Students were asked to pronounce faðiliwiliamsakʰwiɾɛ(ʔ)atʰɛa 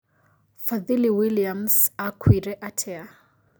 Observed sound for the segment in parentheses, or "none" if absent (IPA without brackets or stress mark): ʔ